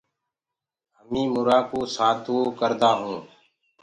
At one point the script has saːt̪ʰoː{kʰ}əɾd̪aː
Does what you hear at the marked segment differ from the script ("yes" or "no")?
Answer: yes